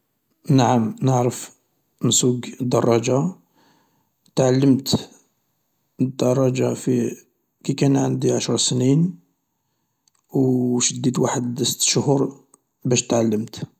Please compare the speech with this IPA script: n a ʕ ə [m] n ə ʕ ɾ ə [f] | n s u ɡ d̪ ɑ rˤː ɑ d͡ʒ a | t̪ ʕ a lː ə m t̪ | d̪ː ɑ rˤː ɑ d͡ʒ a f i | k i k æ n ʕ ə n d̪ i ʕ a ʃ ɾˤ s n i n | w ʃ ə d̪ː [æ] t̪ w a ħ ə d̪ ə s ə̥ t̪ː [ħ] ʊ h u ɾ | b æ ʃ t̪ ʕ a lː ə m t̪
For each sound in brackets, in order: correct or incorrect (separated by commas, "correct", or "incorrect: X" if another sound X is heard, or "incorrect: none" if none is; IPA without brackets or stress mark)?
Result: correct, correct, incorrect: i, incorrect: ʃ